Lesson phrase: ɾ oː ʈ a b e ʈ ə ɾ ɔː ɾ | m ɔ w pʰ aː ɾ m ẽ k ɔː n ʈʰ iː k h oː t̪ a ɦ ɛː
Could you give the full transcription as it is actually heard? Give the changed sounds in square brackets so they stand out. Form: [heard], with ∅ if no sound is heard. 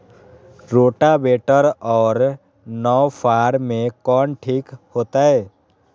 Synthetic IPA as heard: ɾ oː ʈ a b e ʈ ə ɾ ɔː ɾ | [n] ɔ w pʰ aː ɾ m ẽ k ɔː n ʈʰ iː k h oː t̪ a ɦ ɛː